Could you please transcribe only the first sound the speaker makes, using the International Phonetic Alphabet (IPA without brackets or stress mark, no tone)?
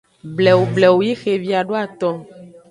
b